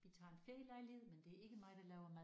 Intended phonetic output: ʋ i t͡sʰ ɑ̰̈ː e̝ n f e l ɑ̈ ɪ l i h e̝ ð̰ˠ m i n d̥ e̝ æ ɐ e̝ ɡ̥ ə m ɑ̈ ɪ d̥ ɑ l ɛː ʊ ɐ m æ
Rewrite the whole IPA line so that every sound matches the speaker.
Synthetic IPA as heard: ʋ i t͡sʰ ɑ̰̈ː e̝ n f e l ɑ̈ ɪ l i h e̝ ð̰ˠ m e n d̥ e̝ æ ɐ e̝ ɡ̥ ə m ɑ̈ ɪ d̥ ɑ l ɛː ʊ ɐ m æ